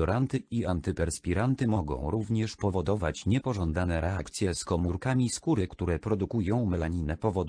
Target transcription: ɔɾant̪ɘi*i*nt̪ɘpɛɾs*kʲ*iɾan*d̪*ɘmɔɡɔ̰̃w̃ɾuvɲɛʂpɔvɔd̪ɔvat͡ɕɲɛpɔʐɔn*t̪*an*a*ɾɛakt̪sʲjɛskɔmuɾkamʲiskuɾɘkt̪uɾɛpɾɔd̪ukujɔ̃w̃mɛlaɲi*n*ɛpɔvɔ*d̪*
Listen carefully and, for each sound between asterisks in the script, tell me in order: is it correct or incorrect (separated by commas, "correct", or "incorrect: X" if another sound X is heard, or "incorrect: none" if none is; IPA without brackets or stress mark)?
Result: incorrect: a, incorrect: pʲ, incorrect: t̪, incorrect: d̪, incorrect: ɛ, correct, correct